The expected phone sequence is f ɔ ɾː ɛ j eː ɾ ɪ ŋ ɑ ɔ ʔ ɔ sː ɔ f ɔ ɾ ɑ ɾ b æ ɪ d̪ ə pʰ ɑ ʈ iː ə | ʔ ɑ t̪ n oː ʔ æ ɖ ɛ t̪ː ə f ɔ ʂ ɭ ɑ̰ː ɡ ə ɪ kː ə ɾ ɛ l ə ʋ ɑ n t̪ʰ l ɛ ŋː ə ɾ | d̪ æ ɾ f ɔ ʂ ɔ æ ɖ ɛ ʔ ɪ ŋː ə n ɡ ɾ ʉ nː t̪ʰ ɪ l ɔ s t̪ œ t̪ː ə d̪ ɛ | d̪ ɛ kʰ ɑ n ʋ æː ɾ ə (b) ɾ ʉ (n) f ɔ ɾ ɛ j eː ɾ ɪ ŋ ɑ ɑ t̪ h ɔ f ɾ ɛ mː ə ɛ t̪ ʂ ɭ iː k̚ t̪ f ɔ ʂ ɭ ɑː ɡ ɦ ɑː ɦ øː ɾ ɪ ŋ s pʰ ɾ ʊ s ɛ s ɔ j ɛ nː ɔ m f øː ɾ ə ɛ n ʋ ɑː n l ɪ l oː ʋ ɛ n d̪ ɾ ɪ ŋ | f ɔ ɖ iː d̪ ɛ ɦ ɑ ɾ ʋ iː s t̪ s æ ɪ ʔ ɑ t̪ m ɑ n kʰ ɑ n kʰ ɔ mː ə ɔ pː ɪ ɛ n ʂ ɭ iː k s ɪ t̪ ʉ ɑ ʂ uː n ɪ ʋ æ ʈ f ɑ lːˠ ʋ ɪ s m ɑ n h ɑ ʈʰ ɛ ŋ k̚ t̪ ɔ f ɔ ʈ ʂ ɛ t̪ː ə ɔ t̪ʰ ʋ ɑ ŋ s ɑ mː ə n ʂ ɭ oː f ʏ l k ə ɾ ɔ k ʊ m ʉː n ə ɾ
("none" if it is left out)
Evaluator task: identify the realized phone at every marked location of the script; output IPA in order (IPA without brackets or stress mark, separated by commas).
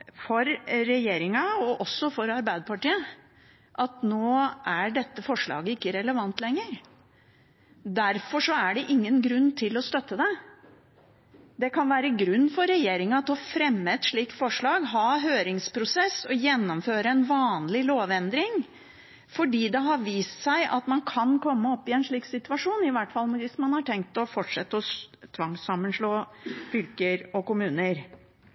ɡ, nː